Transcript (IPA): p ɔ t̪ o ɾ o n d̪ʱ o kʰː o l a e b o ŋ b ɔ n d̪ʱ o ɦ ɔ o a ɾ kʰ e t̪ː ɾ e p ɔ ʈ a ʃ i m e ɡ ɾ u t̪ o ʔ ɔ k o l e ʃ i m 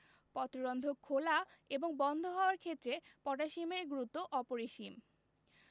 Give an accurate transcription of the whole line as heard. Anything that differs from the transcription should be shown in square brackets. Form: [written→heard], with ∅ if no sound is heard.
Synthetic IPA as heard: p ɔ t̪ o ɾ o n d̪ʱ o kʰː o l a e b o ŋ b ɔ n d̪ʱ o ɦ ɔ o a ɾ kʰ e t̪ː ɾ e p ɔ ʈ a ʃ i m e ɡ ɾ u t̪ o ʔ ɔ [k→p] o [l→ɾ] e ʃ i m